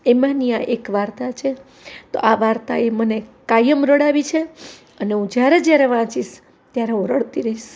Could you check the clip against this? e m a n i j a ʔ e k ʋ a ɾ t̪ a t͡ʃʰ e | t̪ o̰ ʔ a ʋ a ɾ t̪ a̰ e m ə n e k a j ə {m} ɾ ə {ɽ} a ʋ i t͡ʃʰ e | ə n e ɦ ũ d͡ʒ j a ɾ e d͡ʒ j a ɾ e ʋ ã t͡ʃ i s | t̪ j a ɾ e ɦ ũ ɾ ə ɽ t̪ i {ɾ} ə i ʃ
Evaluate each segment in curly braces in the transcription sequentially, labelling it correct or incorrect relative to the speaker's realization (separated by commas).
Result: correct, correct, correct